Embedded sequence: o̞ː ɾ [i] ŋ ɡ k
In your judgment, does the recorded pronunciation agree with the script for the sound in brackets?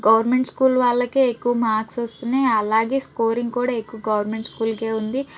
yes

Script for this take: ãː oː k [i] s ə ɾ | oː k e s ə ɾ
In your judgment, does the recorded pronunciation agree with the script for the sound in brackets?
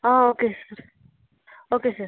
no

